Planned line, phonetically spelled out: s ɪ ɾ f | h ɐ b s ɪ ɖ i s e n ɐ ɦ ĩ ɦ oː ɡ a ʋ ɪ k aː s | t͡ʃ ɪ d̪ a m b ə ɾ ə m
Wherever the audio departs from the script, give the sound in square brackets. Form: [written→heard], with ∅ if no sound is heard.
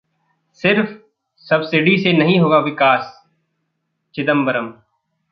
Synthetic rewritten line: s ɪ ɾ f | [h→s] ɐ b s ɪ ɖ i s e n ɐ ɦ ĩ ɦ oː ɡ a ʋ ɪ k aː s | t͡ʃ ɪ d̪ [a→ə] m b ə ɾ ə m

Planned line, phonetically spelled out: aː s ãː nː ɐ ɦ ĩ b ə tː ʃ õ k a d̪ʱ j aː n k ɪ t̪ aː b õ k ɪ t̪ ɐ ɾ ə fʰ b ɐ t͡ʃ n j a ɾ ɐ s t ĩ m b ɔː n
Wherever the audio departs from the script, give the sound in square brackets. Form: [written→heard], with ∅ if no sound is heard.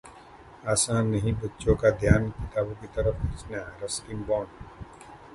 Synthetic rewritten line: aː s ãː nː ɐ ɦ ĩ b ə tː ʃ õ k a d̪ʱ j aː n k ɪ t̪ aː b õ k [ɪ→i] t̪ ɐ ɾ ə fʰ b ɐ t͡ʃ n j a ɾ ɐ s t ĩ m b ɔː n

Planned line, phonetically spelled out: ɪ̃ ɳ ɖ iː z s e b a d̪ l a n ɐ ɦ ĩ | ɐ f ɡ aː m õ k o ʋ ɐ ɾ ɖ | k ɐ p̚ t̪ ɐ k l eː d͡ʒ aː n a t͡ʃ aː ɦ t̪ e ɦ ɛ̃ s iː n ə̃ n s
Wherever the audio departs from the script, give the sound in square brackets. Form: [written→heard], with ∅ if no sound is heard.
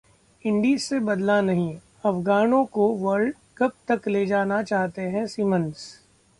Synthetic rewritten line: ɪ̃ ɳ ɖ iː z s e b [a→ɐ] d̪ l a n ɐ ɦ ĩ | ɐ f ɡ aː [m→n] õ k o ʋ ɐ ɾ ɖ | k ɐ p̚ t̪ ɐ k l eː d͡ʒ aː n a t͡ʃ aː ɦ t̪ e ɦ ɛ̃ s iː [n→m] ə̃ n s

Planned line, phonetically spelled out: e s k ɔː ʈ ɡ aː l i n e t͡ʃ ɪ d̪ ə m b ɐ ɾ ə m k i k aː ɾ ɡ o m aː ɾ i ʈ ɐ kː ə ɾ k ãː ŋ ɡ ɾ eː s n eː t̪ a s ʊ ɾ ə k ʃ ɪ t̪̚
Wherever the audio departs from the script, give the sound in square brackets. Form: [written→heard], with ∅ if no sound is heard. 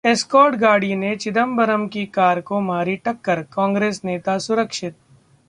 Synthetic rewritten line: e s k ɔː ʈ ɡ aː [l→ɽ] i n e t͡ʃ ɪ d̪ ə m b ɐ ɾ ə m k i k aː ɾ [ɡ→k] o m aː ɾ i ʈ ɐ kː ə ɾ k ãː ŋ ɡ ɾ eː s n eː t̪ a s ʊ ɾ ə k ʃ ɪ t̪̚

